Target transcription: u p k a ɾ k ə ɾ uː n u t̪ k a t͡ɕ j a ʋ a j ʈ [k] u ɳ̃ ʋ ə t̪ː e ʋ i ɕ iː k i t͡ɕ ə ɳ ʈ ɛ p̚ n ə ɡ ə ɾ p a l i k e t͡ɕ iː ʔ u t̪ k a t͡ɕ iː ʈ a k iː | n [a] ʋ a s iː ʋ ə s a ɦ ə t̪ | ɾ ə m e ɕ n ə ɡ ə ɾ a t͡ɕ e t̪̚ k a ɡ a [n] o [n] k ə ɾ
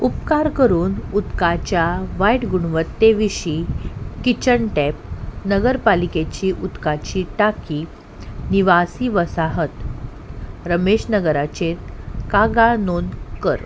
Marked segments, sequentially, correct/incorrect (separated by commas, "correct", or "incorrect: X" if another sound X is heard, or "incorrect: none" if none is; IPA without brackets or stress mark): incorrect: ɡ, incorrect: i, correct, correct